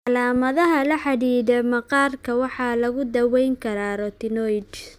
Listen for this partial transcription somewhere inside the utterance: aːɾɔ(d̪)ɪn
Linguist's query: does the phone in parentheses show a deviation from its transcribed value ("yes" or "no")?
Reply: yes